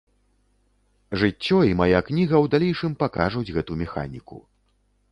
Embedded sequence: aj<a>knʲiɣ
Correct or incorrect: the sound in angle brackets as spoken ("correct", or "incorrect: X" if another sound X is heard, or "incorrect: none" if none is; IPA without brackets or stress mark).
correct